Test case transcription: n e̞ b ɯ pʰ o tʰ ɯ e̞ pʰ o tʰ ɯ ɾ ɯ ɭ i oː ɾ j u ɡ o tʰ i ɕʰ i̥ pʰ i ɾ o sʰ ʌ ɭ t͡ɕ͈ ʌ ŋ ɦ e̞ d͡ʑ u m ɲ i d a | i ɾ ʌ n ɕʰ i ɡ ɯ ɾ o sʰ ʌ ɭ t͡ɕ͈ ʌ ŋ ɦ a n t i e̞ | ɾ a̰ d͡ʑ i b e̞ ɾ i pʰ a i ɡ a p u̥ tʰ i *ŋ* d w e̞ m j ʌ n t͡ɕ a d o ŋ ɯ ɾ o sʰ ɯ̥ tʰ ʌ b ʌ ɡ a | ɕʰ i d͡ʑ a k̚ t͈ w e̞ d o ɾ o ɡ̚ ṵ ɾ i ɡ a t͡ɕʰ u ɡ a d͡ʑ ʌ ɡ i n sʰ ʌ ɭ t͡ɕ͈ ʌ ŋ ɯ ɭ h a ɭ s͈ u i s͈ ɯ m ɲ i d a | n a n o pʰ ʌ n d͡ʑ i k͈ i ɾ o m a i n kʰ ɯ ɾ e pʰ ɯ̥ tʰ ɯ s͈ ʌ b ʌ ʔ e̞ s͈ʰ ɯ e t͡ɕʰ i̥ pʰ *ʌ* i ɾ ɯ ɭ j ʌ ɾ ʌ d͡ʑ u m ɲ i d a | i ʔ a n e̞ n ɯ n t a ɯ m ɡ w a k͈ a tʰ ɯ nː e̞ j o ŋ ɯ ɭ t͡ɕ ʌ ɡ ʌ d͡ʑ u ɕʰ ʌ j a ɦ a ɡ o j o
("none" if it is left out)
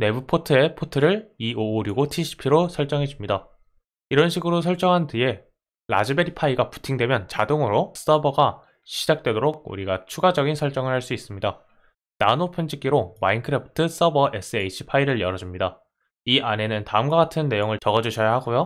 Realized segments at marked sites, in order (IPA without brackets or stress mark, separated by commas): ŋ, a